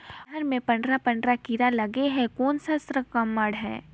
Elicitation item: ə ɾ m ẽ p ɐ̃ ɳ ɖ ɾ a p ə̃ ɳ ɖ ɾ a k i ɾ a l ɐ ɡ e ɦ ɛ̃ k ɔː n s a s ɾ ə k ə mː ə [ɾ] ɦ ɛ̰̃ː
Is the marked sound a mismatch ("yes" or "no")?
yes